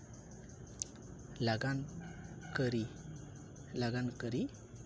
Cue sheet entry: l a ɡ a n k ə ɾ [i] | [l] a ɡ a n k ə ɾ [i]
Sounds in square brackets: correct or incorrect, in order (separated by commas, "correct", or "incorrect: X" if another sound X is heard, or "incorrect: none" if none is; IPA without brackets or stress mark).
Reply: correct, correct, correct